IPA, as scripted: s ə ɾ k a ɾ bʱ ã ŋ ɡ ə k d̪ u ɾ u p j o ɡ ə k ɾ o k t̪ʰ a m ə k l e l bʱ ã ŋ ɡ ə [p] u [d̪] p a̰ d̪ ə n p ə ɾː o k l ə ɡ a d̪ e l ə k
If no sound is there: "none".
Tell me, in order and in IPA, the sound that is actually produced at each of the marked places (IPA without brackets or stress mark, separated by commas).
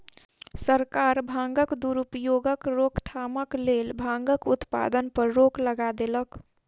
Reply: k, t̪